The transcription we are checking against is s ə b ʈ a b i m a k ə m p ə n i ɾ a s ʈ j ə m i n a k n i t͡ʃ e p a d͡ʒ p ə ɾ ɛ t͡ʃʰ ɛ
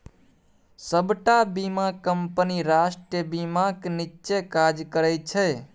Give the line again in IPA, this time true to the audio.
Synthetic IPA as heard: s ə b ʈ a b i m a k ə m p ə n i ɾ a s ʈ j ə b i m a k n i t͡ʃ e k a d͡ʒ k ə ɾ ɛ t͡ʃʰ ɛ

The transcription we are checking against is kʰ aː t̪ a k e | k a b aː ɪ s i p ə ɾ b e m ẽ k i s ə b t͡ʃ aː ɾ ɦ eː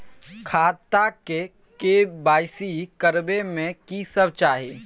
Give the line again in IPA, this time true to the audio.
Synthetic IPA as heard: kʰ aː t̪ a k e | k e b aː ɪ s i k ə ɾ b e m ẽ k i s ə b t͡ʃ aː ɦ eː

